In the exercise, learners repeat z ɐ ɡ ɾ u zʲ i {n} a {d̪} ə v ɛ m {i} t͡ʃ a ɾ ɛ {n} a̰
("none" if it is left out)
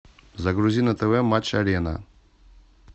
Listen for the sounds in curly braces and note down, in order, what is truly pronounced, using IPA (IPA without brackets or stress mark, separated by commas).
n, t̪, a, n